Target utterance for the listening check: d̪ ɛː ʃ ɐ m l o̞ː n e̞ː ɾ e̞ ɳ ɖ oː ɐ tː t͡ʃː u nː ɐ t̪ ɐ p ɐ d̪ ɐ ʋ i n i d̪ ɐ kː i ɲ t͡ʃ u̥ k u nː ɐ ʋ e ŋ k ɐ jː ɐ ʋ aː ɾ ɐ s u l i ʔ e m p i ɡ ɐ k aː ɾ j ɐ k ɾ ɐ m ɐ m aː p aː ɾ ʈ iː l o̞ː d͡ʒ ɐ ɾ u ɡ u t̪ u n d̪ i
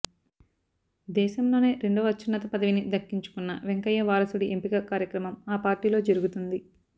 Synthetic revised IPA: d̪ ɛː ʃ ɐ m l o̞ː n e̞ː ɾ e̞ ɳ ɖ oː ɐ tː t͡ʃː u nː ɐ t̪ ɐ p ɐ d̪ ɐ ʋ i n i d̪ ɐ kː i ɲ t͡ʃ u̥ k u nː ɐ ʋ e ŋ k ɐ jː ɐ ʋ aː ɾ ɐ s u ɽ i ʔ e m p i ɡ ɐ k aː ɾ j ɐ k ɾ ɐ m ɐ m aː p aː ɾ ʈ iː l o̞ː d͡ʒ ɐ ɾ u ɡ u t̪ u n d̪ i